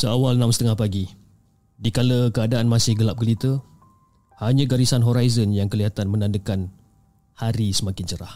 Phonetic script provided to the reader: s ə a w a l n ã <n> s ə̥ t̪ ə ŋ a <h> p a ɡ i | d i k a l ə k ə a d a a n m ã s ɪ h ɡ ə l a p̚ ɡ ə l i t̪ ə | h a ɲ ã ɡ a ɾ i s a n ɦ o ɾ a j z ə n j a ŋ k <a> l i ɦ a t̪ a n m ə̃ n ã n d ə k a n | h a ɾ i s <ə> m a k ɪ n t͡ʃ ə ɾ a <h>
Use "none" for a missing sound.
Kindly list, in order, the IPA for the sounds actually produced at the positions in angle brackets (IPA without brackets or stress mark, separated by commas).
m, h, ə, ə, h